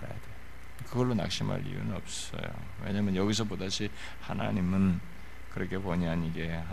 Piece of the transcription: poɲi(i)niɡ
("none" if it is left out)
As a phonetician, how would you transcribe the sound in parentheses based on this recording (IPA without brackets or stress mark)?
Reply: a